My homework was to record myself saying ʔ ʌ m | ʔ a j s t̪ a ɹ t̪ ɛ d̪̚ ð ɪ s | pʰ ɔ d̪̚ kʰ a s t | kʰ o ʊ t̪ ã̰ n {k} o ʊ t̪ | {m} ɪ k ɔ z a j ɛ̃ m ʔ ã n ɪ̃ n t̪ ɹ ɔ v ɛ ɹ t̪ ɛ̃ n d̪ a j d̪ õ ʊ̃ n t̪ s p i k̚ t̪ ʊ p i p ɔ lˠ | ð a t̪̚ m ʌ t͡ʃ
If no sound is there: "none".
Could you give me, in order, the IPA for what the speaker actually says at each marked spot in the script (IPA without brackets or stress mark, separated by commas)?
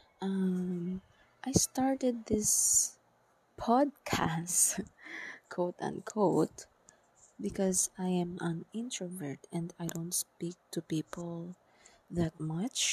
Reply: kʰ, b